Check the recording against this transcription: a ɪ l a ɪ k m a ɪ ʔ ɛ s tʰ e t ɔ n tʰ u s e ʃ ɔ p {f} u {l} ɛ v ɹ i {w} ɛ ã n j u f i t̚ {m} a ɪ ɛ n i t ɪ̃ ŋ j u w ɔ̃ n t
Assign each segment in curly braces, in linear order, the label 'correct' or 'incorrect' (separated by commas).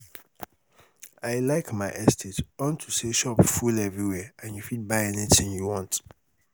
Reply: correct, correct, correct, incorrect